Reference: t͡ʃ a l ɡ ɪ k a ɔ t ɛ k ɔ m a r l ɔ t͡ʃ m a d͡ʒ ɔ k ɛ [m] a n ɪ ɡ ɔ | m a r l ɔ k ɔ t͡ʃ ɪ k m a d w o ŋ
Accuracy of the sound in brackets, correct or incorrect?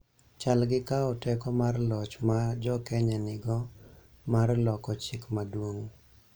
incorrect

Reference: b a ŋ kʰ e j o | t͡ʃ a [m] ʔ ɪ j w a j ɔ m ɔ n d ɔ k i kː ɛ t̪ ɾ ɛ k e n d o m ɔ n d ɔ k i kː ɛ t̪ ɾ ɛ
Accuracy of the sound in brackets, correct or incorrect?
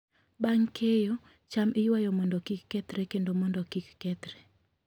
correct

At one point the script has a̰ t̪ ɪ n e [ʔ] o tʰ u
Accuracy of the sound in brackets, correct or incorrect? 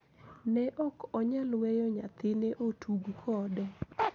correct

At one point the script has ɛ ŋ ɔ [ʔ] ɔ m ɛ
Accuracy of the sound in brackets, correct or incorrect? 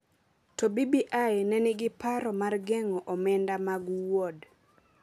correct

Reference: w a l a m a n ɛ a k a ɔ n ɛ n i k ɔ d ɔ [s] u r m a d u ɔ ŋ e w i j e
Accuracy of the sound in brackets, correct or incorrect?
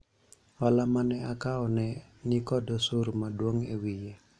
correct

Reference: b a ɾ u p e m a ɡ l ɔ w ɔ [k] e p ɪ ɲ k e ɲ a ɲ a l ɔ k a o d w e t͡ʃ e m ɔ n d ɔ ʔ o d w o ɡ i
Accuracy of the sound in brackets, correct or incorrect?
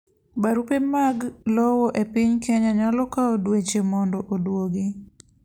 incorrect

